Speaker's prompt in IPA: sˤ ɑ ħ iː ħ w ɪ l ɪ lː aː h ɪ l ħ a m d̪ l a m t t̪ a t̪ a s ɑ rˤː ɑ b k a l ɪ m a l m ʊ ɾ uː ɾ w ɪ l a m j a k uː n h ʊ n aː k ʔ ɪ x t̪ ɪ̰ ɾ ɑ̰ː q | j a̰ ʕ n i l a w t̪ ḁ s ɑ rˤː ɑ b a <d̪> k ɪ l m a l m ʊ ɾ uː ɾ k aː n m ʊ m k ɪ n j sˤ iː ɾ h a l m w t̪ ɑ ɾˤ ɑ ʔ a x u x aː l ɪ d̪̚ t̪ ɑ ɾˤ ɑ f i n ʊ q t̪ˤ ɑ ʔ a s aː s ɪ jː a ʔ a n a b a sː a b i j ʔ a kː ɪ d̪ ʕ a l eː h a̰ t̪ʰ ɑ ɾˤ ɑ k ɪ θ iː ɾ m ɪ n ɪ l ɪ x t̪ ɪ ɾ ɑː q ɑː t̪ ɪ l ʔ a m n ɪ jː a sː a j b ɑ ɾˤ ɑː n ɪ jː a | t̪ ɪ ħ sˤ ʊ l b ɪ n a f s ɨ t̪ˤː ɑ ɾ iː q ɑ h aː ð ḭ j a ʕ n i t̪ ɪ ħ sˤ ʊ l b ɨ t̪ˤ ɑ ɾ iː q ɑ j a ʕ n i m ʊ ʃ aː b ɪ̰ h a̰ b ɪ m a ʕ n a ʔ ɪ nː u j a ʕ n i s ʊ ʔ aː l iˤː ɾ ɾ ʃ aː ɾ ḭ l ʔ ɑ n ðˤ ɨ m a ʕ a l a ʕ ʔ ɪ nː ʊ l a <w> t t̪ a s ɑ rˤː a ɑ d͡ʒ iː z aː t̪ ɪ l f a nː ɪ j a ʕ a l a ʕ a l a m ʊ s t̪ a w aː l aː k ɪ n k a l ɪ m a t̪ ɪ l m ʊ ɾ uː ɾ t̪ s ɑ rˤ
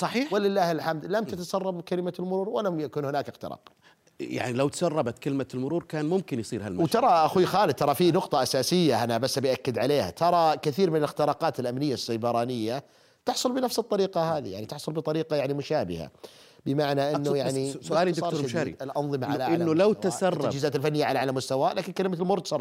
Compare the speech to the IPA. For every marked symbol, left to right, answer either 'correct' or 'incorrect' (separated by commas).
incorrect, correct